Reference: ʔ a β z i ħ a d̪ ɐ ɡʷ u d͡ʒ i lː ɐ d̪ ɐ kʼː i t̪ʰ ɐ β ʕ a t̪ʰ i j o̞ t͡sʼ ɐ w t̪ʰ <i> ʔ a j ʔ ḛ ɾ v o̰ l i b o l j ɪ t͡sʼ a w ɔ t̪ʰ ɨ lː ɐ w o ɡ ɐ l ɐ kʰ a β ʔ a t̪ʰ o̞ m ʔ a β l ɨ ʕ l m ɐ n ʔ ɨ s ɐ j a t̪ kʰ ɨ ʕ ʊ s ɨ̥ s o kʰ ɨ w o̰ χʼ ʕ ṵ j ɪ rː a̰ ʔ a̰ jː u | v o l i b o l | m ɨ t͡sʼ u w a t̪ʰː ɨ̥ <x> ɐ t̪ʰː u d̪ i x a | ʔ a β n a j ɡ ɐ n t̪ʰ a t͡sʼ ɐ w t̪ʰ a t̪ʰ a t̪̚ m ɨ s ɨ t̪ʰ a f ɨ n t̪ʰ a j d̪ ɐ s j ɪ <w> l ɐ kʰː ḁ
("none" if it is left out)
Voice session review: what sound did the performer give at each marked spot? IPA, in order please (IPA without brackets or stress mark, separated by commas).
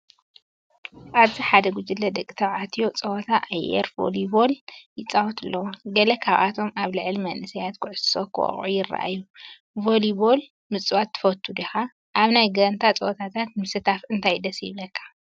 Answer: a, f, β